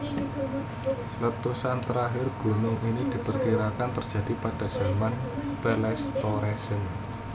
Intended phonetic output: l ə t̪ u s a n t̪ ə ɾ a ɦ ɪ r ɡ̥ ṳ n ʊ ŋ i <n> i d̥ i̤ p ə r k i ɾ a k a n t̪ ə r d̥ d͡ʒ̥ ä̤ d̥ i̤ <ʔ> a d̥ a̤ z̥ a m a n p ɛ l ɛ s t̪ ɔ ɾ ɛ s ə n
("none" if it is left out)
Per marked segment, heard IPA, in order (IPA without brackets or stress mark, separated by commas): n, p